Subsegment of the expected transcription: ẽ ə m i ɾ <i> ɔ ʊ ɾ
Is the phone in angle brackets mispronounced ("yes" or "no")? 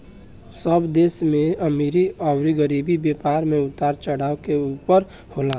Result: no